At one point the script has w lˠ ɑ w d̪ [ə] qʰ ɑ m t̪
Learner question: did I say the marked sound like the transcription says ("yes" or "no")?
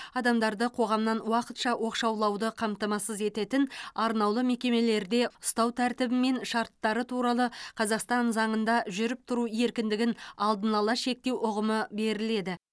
yes